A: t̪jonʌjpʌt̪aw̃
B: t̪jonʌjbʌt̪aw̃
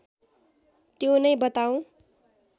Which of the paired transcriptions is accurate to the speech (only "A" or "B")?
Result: B